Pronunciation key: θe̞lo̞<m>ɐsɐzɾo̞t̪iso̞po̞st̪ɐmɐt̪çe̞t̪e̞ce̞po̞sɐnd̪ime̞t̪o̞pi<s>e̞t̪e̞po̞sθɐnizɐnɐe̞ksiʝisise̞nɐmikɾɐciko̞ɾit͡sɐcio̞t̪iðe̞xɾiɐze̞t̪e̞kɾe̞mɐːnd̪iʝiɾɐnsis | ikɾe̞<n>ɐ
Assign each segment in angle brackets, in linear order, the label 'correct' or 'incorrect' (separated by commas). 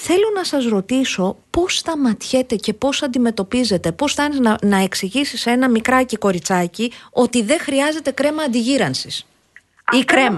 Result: incorrect, incorrect, incorrect